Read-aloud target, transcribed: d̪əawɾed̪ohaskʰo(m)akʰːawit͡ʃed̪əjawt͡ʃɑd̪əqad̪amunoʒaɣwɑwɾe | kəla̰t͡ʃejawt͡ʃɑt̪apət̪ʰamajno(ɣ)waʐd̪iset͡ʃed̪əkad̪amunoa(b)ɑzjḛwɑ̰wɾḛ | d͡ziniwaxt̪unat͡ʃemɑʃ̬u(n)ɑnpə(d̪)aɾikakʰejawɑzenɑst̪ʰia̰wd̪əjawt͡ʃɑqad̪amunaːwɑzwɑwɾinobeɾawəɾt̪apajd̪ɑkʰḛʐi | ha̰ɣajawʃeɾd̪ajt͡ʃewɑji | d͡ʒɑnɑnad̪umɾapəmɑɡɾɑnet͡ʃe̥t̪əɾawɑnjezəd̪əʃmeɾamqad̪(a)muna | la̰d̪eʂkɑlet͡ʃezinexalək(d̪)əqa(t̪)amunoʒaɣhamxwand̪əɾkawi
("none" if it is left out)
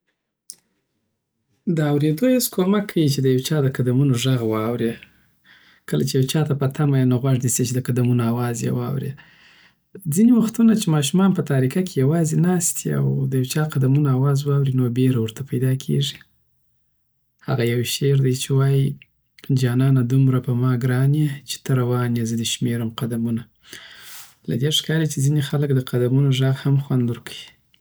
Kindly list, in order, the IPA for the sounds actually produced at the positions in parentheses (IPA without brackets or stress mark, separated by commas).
m, ɣ, w, m, t̪, a, d̪, d̪